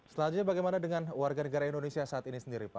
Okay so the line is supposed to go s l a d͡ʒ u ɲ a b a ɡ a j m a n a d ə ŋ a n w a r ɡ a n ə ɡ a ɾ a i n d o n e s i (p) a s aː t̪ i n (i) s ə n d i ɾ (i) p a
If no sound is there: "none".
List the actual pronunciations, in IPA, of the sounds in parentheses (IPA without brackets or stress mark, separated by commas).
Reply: none, i, i